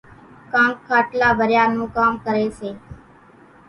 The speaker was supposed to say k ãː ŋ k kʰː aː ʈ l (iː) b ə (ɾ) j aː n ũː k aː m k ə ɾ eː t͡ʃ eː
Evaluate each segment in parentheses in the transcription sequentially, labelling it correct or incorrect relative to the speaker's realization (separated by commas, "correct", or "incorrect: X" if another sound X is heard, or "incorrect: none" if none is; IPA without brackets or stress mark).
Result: incorrect: aː, correct